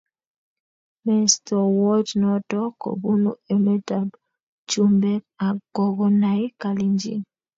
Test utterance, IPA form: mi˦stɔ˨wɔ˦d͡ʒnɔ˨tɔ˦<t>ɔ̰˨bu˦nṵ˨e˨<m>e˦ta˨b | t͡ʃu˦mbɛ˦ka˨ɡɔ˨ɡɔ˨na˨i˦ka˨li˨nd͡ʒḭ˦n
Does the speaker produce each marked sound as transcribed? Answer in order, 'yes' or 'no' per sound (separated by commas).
no, yes